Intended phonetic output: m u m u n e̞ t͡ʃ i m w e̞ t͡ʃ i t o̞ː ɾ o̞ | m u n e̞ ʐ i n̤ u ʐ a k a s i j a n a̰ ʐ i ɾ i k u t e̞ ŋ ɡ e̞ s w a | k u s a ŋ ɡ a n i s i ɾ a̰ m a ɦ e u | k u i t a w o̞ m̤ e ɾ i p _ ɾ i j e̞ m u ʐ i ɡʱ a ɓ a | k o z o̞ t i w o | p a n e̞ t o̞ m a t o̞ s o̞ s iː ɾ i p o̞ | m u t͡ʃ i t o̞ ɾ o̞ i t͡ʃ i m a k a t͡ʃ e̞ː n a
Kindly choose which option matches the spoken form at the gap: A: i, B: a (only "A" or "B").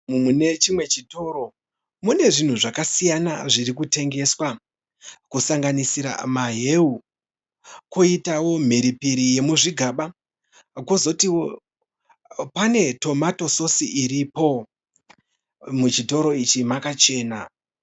A